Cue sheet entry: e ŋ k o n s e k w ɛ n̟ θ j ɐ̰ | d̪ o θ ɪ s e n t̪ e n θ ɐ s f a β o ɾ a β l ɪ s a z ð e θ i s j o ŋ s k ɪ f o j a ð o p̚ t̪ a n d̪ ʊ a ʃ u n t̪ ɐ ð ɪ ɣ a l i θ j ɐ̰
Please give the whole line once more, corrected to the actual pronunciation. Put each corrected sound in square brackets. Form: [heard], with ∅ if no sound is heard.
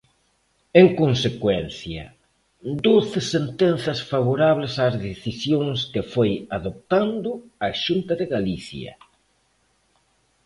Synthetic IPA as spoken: e ŋ k o n s e k w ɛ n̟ θ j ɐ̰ | d̪ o θ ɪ s e n t̪ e n θ ɐ s f a β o ɾ a β l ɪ s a z ð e θ i s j o ŋ s k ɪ f o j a ð o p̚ t̪ a n d̪ ʊ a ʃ u n t̪ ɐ ð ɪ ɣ a l i θ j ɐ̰